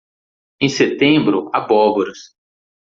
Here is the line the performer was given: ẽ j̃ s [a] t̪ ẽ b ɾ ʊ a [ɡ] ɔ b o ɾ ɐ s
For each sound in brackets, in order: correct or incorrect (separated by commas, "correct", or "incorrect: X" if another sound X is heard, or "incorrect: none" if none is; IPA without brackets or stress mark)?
incorrect: e, incorrect: b